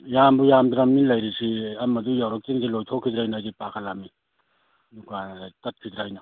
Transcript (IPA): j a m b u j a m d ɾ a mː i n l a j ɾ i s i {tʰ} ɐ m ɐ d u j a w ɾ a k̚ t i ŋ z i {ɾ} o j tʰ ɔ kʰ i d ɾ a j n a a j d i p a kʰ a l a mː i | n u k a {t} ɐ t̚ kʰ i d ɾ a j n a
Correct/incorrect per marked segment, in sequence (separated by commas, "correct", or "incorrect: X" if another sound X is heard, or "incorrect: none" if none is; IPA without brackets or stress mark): incorrect: none, incorrect: l, correct